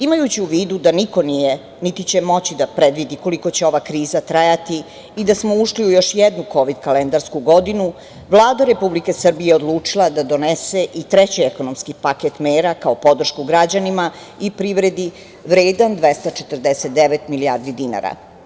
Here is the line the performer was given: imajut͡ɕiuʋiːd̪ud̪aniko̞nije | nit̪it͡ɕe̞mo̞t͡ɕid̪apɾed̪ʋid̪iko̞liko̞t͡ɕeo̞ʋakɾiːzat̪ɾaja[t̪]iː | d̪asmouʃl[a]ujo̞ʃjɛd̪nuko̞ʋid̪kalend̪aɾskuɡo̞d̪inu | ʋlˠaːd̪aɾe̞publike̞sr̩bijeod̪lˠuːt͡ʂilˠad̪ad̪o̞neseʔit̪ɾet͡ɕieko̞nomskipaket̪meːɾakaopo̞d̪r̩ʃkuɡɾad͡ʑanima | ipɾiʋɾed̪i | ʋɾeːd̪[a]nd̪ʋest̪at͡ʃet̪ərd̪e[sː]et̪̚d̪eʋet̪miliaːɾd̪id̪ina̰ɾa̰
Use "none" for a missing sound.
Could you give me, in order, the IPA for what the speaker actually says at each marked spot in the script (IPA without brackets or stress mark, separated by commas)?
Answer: t̪, i, a, s